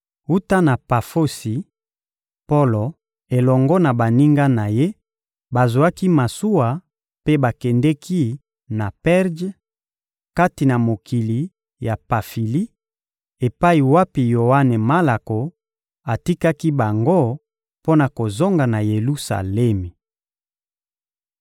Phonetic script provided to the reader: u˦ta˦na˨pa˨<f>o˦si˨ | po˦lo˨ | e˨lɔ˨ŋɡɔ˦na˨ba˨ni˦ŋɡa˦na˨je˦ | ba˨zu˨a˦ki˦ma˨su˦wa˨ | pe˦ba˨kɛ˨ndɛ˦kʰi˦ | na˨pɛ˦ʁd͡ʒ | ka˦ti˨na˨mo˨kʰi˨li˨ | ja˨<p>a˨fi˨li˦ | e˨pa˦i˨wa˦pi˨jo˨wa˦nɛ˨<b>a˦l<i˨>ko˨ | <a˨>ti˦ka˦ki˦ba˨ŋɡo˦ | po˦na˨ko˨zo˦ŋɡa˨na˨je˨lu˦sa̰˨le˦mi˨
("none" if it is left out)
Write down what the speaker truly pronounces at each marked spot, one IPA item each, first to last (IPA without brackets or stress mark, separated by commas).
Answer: f, p, m, a˨, a˨